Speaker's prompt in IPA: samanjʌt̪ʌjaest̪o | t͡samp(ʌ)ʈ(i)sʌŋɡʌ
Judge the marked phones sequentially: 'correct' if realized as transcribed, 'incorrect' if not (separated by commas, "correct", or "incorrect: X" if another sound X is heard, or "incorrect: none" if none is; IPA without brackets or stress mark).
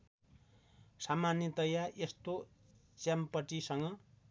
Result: correct, correct